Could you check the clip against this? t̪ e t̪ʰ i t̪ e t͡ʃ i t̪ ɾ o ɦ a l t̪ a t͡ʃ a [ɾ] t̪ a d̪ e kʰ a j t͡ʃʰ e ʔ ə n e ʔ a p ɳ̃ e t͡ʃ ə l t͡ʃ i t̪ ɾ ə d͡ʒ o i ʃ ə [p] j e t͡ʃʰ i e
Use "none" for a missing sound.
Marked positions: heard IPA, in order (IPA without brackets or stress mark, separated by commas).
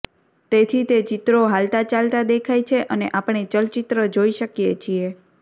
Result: l, k